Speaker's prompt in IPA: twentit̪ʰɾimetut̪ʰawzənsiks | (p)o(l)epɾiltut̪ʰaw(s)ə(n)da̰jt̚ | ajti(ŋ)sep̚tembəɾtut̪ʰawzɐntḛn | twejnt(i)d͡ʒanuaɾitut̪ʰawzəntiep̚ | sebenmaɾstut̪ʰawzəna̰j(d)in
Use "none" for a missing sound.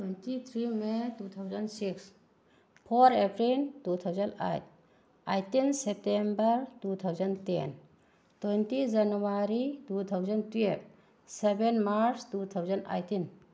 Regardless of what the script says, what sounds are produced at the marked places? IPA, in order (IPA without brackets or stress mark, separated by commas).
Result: pʰ, ɾ, z, n, n, i, t